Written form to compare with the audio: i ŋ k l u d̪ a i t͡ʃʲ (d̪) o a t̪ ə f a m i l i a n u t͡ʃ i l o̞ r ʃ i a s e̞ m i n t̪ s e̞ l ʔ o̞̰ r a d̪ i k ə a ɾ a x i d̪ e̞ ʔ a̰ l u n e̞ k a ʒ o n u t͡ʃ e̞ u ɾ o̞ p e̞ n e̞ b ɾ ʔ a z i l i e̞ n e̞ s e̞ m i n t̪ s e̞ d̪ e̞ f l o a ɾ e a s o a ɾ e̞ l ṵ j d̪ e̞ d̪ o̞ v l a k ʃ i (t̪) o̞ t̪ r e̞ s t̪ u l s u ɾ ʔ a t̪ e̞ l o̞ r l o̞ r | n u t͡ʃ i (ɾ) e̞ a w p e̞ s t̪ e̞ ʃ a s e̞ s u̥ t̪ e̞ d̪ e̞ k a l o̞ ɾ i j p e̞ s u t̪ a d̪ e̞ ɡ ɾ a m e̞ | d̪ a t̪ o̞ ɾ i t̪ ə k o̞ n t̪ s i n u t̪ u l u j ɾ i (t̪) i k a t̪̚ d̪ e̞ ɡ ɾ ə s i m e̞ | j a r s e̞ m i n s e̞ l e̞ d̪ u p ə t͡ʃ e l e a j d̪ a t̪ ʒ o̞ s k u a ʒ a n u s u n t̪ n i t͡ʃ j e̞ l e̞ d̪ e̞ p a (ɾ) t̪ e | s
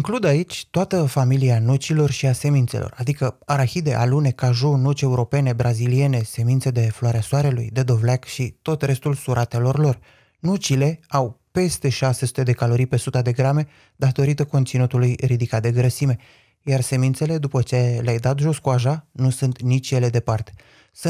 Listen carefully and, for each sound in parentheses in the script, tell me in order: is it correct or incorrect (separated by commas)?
incorrect, correct, incorrect, incorrect, incorrect